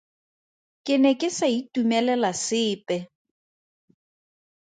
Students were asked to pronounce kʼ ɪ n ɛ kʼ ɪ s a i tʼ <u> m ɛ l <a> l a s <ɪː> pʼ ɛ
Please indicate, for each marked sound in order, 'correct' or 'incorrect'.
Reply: correct, incorrect, correct

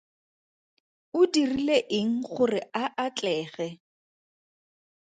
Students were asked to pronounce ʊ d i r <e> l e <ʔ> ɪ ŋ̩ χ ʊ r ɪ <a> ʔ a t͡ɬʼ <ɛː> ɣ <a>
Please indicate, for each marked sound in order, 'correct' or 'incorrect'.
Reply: incorrect, correct, correct, correct, incorrect

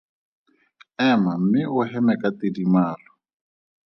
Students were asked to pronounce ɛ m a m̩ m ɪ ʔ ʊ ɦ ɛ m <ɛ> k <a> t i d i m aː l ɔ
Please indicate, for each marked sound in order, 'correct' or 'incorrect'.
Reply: correct, correct

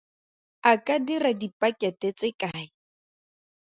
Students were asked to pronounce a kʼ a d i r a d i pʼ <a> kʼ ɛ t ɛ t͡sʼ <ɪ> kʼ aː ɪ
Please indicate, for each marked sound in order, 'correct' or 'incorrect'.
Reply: correct, correct

